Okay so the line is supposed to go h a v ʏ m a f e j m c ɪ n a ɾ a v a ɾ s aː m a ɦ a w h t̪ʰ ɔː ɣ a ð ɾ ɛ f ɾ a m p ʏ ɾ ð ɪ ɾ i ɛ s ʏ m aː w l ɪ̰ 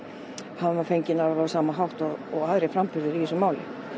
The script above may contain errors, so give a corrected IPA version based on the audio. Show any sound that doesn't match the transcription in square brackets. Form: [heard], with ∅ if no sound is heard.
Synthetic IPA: h a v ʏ m a f e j [ɲ] c ɪ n a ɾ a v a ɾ s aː m a ɦ a w h [t̪] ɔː ɣ a ð ɾ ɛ f ɾ a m p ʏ ɾ ð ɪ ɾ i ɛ s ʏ m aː w l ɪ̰